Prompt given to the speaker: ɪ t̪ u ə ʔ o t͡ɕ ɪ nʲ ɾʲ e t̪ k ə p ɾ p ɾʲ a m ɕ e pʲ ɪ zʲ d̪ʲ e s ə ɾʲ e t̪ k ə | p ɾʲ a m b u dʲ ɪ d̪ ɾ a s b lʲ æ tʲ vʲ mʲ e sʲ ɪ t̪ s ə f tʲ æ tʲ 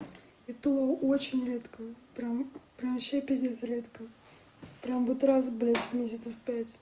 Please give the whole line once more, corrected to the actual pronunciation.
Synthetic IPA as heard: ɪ t̪ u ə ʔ o t͡ɕ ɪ nʲ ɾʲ e t̪ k ə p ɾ p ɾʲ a m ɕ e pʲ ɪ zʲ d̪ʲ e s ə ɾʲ e t̪ k ə | p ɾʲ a m b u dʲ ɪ t̪ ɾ a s b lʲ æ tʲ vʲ mʲ e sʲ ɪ t̪ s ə f pʲ æ tʲ